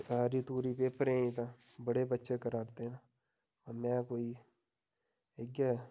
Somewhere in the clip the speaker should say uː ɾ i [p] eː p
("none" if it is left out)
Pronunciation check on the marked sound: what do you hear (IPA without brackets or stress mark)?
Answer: p